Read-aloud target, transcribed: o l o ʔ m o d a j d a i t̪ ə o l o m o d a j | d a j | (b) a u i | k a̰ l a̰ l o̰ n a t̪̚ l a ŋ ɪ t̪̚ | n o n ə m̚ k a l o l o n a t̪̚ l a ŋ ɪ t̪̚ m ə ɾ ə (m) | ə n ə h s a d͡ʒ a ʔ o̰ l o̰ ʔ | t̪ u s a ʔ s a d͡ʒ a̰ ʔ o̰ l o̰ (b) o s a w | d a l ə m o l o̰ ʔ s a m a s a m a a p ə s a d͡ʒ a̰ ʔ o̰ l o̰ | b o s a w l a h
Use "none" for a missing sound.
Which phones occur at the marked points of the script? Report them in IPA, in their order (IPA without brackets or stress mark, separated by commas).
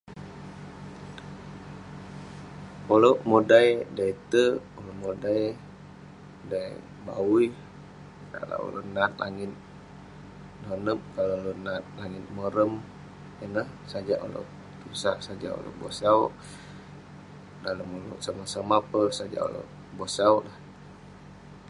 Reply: b, m, b